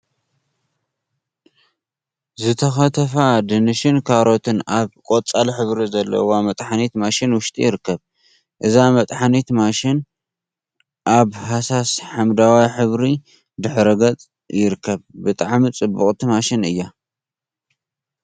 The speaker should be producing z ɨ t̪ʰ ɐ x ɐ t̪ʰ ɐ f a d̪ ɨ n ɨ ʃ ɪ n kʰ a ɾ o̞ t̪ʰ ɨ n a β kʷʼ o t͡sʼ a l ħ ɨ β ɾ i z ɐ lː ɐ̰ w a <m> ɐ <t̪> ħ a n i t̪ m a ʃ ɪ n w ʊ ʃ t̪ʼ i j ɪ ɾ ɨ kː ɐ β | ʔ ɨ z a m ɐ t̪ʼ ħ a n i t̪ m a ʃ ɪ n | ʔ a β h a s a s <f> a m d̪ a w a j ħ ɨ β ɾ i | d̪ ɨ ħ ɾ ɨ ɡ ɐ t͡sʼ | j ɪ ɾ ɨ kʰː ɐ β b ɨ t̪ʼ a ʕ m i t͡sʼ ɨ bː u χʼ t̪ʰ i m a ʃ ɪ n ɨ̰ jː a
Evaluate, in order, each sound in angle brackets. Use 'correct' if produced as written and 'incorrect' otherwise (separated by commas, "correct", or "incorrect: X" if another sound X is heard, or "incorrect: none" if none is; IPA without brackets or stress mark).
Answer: correct, incorrect: t̪ʼ, incorrect: ħ